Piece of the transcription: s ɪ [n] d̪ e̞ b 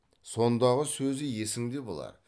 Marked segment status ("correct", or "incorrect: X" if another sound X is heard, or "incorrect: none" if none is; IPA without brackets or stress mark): incorrect: ŋ